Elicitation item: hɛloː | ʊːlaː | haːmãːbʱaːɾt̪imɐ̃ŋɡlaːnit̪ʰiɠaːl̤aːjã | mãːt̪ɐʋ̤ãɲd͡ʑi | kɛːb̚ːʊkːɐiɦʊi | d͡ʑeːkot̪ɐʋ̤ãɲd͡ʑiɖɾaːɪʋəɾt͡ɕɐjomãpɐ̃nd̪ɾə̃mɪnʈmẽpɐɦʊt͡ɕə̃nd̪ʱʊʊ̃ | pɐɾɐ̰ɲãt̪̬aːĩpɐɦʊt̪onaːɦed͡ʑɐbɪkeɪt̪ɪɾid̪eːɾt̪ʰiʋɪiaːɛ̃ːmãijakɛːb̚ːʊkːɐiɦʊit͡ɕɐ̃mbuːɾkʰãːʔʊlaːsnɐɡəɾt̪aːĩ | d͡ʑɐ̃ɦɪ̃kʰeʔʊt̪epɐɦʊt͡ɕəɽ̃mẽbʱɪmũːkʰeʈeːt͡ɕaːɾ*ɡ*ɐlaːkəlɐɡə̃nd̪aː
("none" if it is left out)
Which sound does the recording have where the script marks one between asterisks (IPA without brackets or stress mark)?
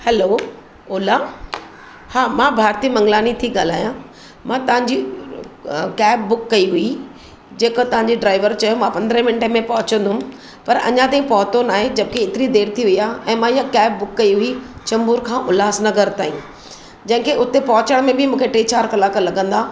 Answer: k